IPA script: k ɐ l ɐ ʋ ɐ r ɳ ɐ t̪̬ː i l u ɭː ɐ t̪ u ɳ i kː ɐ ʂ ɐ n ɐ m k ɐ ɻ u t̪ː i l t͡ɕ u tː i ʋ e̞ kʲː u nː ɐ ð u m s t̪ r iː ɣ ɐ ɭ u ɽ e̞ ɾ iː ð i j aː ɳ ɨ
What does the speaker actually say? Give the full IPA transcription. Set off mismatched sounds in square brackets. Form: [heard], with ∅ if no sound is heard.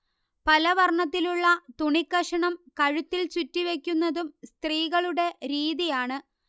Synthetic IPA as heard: [p] ɐ l ɐ ʋ ɐ r ɳ ɐ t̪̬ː i l u ɭː ɐ t̪ u ɳ i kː ɐ ʂ ɐ [ɳ] ɐ m k ɐ ɻ u t̪ː i l t͡ɕ u tː i ʋ e̞ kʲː u nː ɐ ð u m s t̪ r iː ɣ ɐ ɭ u ɽ e̞ ɾ iː ð i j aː ɳ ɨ